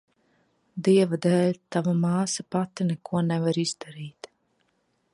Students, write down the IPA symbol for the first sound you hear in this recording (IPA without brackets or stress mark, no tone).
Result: d̪